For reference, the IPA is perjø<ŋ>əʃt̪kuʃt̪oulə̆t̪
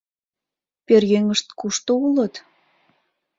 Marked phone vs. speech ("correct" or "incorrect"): correct